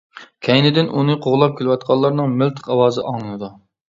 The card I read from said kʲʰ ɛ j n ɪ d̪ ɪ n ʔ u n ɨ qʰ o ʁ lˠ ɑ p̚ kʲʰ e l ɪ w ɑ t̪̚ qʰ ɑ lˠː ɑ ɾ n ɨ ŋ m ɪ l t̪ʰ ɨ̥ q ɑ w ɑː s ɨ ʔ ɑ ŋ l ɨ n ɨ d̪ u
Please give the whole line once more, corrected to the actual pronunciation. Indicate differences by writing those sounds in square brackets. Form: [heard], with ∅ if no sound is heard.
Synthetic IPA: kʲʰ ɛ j n ɪ d̪ ɪ n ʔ u n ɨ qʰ o ʁ lˠ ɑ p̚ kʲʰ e l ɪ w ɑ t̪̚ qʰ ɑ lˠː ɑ ɾ n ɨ ŋ m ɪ l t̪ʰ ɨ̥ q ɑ w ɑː [z] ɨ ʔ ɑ ŋ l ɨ n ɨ d̪ u